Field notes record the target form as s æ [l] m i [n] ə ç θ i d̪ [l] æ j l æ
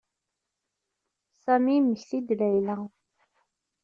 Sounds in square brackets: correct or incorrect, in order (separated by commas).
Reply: incorrect, incorrect, correct